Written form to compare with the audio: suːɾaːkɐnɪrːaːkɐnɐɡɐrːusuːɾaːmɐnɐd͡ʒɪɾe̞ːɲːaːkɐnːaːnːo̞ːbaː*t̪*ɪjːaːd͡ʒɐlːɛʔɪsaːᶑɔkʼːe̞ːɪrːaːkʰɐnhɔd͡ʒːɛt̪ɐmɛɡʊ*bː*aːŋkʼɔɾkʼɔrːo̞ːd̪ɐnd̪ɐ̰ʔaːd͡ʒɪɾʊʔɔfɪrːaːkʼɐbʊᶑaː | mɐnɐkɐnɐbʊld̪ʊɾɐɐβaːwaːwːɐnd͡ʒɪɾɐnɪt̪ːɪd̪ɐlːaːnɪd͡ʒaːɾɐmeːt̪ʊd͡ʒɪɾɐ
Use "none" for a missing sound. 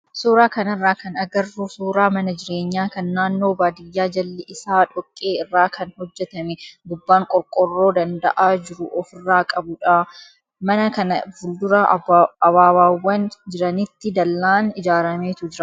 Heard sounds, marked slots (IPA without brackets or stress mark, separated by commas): d̪, bː